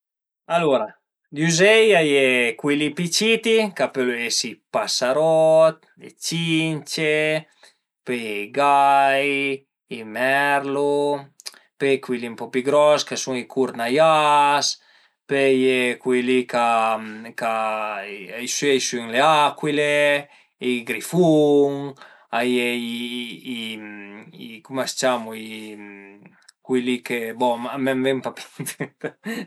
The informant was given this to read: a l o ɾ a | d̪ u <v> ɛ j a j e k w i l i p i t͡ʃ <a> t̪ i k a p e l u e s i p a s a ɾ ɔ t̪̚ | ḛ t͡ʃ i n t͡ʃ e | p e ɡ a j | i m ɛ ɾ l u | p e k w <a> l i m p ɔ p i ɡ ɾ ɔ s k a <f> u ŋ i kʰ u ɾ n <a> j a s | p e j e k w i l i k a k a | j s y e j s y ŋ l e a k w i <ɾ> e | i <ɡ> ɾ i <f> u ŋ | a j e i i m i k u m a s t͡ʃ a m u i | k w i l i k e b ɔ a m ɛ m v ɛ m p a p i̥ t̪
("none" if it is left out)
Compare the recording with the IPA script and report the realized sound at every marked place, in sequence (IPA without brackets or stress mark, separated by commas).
z, i, i, s, a, l, ɡ, f